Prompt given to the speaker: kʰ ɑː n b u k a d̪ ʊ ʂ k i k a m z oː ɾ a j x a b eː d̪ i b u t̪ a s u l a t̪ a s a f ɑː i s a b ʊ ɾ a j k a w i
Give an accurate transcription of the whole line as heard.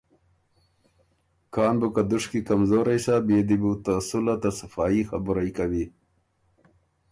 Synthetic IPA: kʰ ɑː n b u k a d̪ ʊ ʂ k i k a m z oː ɾ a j s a b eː d̪ i b u t̪ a s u l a t̪ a s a f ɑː i x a b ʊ ɾ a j k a w i